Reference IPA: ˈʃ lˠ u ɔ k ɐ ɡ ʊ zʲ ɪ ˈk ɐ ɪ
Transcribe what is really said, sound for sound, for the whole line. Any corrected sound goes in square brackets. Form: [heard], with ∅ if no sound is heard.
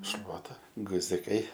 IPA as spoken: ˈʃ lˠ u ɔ [t] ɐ ɡ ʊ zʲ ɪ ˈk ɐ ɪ

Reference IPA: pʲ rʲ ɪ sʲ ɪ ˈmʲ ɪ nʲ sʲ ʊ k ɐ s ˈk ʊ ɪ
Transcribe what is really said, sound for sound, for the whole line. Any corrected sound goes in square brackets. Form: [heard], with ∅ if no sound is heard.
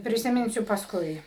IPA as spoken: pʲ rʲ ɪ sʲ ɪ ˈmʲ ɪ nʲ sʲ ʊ [p] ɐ s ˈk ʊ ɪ

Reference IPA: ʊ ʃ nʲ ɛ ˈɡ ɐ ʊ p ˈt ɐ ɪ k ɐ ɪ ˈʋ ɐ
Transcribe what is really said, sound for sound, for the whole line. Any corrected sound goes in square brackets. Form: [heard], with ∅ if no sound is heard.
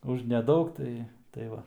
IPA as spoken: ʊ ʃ nʲ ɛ [ˈd] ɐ ʊ [k] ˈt ɐ ɪ [t] ɐ ɪ ˈʋ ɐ

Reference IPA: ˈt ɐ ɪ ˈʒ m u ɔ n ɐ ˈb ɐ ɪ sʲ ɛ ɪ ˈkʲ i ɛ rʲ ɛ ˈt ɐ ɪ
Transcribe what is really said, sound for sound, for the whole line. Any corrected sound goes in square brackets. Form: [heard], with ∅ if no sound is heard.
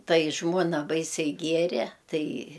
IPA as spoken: ˈt ɐ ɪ ˈʒ m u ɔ n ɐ ˈb ɐ ɪ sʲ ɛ ɪ [ˈɡʲ] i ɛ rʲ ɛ ˈt ɐ ɪ

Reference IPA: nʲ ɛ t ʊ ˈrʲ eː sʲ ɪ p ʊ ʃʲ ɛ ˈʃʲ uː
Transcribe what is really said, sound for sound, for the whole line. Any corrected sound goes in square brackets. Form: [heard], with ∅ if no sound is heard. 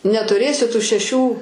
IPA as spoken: nʲ ɛ t ʊ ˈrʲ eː sʲ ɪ [t] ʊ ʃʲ ɛ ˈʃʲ uː

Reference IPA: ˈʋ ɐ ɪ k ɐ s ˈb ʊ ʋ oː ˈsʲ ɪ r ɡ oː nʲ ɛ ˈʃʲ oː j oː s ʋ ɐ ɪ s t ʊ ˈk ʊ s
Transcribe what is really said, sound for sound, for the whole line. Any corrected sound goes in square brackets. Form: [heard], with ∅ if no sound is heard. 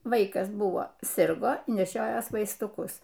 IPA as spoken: ˈʋ ɐ ɪ k ɐ s ˈb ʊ ʋ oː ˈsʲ ɪ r ɡ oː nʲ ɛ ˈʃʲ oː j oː s ʋ ɐ ɪ s t ʊ ˈk ʊ s

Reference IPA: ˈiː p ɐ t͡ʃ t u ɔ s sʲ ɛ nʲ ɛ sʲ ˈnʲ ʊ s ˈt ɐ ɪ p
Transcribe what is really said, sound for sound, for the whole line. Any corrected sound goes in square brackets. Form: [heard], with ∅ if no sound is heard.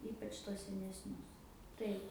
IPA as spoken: ˈiː p ɐ t͡ʃ t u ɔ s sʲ ɛ nʲ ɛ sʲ ˈnʲ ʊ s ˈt ɐ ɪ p

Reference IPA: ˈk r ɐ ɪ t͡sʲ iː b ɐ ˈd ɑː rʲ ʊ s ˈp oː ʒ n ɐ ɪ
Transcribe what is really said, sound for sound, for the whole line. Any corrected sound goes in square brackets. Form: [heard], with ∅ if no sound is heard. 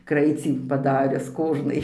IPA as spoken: ˈk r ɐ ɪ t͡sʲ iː [p] ɐ ˈd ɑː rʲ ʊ s [ˈk] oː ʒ n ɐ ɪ

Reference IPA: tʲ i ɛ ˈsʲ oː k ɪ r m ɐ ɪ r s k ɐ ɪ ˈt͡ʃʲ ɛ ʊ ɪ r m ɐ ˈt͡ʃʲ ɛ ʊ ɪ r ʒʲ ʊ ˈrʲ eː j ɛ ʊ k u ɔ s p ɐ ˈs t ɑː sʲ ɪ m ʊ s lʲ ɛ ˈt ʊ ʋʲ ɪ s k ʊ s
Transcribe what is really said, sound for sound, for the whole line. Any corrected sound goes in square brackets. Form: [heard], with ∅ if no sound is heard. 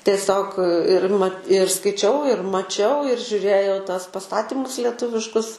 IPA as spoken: tʲ i ɛ ˈsʲ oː k ɪ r m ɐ ɪ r s k ɐ ɪ ˈt͡ʃʲ ɛ ʊ ɪ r m ɐ ˈt͡ʃʲ ɛ ʊ ɪ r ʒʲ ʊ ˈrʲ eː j ɛ ʊ [t] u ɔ s p ɐ ˈs t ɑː [tʲ] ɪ m ʊ s lʲ ɛ ˈt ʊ ʋʲ ɪ [ʃ] k ʊ s

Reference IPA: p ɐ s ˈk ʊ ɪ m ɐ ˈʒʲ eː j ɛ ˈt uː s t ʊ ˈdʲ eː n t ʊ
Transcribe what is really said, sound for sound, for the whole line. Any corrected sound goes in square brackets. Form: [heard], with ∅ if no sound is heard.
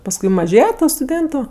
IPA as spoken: p ɐ s ˈk ʊ ɪ m ɐ ˈʒʲ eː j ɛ ˈt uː s t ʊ ˈdʲ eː n t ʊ

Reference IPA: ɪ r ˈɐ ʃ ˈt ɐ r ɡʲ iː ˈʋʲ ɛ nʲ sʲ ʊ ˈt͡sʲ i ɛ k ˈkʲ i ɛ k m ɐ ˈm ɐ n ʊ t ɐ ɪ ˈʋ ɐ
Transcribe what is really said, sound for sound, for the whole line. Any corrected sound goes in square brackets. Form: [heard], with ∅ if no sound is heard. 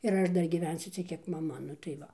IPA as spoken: ɪ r ˈɐ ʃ [ˈd] ɐ r ɡʲ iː ˈʋʲ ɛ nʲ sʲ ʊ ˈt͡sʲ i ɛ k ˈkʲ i ɛ k m ɐ ˈm ɐ n ʊ t ɐ ɪ ˈʋ ɐ

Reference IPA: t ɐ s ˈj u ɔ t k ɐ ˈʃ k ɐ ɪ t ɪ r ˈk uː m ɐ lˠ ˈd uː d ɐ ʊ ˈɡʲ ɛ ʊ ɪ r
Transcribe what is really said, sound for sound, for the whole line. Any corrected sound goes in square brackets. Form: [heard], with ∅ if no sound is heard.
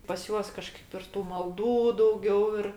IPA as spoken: [p] ɐ s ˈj u ɔ [s] k ɐ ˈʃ k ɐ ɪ [p] ɪ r [ˈt] uː m ɐ lˠ ˈd uː d ɐ ʊ ˈɡʲ ɛ ʊ ɪ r

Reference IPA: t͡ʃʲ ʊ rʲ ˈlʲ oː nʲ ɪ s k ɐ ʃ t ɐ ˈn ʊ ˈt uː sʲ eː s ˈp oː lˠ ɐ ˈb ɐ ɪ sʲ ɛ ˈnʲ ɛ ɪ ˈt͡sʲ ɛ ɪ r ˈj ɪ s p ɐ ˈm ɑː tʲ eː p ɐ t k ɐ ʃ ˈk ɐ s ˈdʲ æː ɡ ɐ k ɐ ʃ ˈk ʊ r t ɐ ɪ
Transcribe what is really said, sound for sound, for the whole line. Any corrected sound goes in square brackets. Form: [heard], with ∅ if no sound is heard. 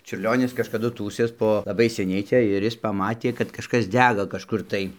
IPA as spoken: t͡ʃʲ ʊ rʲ ˈlʲ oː nʲ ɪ s k ɐ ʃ [k] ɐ [ˈd] ʊ ˈt uː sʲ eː s ˈp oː lˠ ɐ ˈb ɐ ɪ sʲ ɛ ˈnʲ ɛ ɪ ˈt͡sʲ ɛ ɪ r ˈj ɪ s p ɐ ˈm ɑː tʲ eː [k] ɐ t k ɐ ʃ ˈk ɐ s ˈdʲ æː ɡ ɐ k ɐ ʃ ˈk ʊ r t ɐ ɪ

